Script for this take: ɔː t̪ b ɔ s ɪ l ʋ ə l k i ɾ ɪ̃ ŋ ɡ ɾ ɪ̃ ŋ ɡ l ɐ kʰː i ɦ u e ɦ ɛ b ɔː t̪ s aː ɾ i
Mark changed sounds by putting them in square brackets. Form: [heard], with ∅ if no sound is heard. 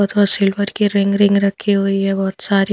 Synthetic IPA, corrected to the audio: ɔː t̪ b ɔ s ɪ l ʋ ə [ɾ] k i ɾ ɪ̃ ŋ ɡ ɾ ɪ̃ ŋ ɡ [ɾ] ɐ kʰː i ɦ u [i] ɦ ɛ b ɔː t̪ s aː ɾ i